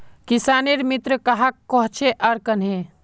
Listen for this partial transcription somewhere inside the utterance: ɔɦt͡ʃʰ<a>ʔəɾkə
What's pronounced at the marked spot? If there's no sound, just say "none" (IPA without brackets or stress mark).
e